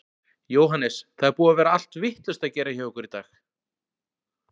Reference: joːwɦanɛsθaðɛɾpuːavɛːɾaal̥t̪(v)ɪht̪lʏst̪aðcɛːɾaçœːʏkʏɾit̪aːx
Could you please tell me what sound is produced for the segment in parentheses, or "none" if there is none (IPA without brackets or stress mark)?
v